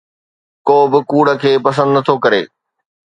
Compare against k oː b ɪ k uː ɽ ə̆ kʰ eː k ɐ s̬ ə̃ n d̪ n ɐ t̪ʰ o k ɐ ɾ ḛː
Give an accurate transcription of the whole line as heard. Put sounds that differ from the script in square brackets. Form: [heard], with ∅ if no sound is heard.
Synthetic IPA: k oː b ɪ k uː ɽ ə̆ kʰ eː [p] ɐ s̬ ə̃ n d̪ n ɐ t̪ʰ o k ɐ ɾ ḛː